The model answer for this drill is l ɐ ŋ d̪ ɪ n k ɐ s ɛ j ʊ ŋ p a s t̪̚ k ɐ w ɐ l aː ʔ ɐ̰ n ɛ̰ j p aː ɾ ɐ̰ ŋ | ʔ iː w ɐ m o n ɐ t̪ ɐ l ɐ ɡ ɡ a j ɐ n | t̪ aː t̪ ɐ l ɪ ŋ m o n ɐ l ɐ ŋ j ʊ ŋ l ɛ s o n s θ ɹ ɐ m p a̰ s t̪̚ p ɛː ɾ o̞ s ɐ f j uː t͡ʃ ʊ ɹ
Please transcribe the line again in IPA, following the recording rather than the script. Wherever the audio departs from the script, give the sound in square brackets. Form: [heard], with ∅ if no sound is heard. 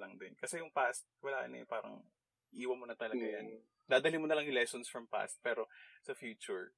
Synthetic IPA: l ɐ ŋ d̪ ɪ n k ɐ s ɛ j ʊ ŋ p a s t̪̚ k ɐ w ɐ l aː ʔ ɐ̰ n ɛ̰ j p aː ɾ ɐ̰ ŋ | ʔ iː w ɐ m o n ɐ t̪ ɐ l ɐ ɡ ɡ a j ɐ n | [d̪] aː [d̪] ɐ l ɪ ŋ m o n ɐ l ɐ ŋ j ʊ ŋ l ɛ s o n s [f] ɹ ɐ m p a̰ s t̪̚ p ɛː ɾ o̞ s ɐ f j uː t͡ʃ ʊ ɹ